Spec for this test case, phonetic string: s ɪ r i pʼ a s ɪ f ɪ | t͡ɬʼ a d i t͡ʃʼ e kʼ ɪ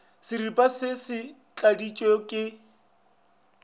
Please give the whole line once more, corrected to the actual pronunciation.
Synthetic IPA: s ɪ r i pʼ a s ɪ s ɪ | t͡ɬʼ a d i t͡ʃʼ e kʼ ɪ